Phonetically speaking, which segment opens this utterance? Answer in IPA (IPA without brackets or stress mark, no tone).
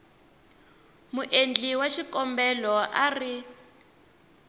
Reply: m